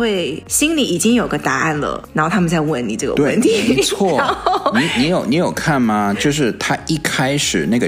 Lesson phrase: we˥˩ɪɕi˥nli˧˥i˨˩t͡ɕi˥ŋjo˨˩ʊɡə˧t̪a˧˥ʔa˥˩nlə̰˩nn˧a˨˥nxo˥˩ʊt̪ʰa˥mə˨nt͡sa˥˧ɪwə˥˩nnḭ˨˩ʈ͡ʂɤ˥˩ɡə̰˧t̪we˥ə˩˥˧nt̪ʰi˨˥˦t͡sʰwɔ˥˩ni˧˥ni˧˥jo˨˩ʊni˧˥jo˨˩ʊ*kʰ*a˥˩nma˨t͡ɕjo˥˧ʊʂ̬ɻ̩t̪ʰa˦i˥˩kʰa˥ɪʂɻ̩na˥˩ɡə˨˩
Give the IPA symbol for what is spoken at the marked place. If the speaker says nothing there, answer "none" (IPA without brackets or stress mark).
kʰ